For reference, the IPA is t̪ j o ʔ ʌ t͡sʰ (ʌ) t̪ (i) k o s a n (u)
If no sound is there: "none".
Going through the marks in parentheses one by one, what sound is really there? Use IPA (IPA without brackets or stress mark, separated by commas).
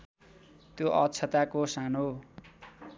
ʌ, a, o